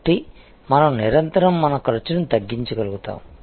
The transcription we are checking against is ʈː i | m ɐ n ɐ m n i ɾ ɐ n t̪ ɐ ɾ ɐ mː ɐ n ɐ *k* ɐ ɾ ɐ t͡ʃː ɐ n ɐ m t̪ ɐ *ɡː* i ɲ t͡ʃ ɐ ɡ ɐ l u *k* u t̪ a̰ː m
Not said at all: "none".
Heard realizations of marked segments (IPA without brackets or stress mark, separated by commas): k, ɡː, ɡ